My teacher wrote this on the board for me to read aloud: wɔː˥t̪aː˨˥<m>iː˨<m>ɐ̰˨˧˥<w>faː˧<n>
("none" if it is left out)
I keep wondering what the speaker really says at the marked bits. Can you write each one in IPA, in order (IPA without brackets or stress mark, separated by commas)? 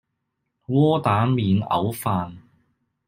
m, n, w, n